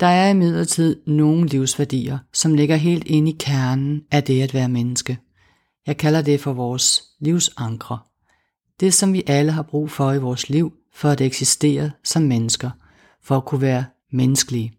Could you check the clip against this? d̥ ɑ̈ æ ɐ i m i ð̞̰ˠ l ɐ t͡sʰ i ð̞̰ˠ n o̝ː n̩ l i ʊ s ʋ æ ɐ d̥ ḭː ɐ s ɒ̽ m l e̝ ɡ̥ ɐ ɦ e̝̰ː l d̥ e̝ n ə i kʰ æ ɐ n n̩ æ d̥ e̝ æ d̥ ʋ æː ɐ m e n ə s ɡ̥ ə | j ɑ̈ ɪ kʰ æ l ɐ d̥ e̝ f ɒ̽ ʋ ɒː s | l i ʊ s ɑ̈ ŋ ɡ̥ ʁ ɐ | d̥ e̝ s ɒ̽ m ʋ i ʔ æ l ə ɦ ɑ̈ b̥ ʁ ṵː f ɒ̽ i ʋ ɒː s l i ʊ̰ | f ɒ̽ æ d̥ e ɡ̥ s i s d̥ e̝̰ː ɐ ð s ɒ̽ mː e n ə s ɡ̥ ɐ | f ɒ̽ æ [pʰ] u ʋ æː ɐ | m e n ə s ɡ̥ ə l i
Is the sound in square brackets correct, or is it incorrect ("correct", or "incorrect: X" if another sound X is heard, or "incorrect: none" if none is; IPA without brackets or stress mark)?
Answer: incorrect: kʰ